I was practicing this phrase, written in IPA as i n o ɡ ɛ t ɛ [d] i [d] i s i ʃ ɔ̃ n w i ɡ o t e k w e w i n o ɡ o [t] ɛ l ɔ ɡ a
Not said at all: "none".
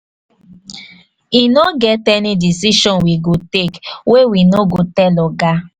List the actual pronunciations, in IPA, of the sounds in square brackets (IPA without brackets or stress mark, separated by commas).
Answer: n, d, t